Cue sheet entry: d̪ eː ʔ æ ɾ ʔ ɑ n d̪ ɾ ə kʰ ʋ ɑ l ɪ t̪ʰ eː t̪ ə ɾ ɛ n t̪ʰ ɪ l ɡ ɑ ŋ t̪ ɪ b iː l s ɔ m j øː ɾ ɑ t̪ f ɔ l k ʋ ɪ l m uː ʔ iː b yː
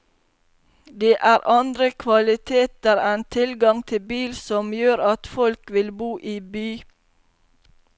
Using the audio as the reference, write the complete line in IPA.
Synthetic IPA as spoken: d̪ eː ʔ æː ɾ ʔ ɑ n d̪ ɾ ə kʰ ʋ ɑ l ɪ t̪ʰ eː t̪ ə ɾ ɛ n t̪ʰ ɪ l ɡ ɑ ŋ t̪ʰ ɪ b iː l s ɔ m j øː ɾ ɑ t̪ f ɔ l k ʋ ɪ l b uː ʔ iː b yː

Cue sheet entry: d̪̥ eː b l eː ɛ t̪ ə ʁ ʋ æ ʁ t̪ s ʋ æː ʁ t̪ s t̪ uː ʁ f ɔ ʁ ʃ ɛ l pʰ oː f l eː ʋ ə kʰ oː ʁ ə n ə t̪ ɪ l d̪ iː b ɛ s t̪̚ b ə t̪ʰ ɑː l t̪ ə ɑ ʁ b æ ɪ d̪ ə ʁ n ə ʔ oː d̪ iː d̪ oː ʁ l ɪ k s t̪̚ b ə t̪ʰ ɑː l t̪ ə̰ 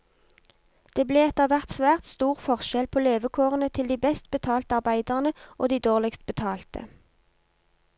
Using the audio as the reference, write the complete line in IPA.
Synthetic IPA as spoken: d̪̥ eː b l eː ɛ t̪ ə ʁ ʋ æ ʁ t̪ s ʋ æː ʁ t̪ s t̪ uː ʁ f ɔ ʁ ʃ ɛ l pʰ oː l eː ʋ ə kʰ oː ʁ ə n ə t̪ʰ ɪ l d̪ iː b ɛ s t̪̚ b ə t̪ʰ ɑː l t̪ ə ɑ ʁ b æ ɪ d̪ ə ʁ n ə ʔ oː d̪ iː d̪ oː ʁ l ɪ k s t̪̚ b ə t̪ʰ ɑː l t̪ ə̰

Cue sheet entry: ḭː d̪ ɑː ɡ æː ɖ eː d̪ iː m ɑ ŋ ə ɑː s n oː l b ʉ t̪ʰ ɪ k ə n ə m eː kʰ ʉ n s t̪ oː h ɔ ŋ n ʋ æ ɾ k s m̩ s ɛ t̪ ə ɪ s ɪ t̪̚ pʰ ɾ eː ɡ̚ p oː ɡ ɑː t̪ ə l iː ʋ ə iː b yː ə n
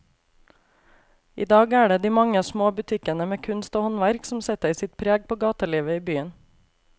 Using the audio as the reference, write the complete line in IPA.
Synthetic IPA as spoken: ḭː d̪ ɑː ɡ æː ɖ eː d̪ iː m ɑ ŋ ə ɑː s m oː b ʉ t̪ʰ ɪ k ə n ə m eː kʰ ʉ n s t̪ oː h ɔ n ʋ æ ɾ k s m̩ s ɛ t̪ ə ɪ s ɪ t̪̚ pʰ ɾ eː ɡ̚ p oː ɡ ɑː t̪ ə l iː ʋ ə iː b yː ə n

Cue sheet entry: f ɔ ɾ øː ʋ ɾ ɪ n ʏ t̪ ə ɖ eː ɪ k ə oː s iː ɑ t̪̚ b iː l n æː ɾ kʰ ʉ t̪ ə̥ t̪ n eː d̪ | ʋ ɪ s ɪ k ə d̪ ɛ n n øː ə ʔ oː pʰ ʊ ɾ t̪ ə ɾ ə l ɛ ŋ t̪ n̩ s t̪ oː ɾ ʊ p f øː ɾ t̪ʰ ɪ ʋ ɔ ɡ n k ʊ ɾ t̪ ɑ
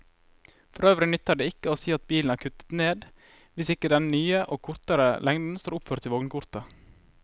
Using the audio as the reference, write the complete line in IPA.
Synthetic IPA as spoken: f ɔ ɾ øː ʋ ɾ ɪ n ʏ t̪ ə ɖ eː ɪ k ə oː s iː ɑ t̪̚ b iː l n æː ɾ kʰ ʉ t̪ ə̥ t̪ n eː d̪ | ʋ ɪ s ɪ k ə d̪ ɛ n n yː ə ʔ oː kʰ ʊ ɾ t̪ ə ɾ ə l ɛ ŋ d̪ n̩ s t̪ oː ɾ ʊ p f øː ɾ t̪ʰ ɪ ʋ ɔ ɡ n k ʊ ɾ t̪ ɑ

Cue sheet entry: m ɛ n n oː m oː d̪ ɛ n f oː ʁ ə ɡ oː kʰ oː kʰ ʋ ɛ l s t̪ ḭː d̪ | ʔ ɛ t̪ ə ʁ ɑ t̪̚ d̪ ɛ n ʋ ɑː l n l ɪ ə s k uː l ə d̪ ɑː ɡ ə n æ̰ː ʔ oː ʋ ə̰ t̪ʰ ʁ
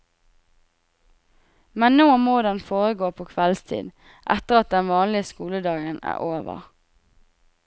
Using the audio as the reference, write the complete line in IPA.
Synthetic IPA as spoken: m ɛ n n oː m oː d̪ ɛ n f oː ʁ ə ɡ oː pʰ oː kʰ ʋ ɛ l s t̪ʰ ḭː d̪ | ʔ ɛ t̪ ə ʁ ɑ t̪̚ d̪ ɛ n ʋ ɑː n l ɪ ə s k uː l ə d̪ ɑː ɡ ə n æ̰ː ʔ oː ʋ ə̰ ʁ

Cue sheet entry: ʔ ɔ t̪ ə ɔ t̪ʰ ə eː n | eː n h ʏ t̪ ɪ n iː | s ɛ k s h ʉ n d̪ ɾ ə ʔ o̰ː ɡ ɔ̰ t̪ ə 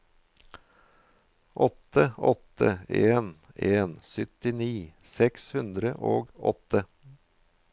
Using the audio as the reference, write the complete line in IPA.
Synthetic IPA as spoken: ʔ ɔ t̪ ə ɔ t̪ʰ ə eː n | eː n s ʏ t̪ ɪ n iː | s ɛ k s h ʉ n d̪ ɾ ə ʔ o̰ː ɡ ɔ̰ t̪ ə

